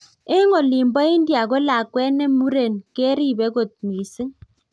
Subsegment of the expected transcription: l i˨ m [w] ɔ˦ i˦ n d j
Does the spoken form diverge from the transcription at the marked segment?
yes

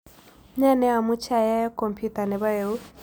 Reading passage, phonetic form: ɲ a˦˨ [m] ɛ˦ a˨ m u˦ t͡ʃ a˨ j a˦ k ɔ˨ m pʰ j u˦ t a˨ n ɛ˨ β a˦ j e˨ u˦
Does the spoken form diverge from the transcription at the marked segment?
yes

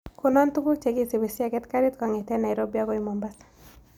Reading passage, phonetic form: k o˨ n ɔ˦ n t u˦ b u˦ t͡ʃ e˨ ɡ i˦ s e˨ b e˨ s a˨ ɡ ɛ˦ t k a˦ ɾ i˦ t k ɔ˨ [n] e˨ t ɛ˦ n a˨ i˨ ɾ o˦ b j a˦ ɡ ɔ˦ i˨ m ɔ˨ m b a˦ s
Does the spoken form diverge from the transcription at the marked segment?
yes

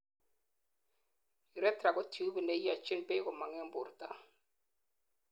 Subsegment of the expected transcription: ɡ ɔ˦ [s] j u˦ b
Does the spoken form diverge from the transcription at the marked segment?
yes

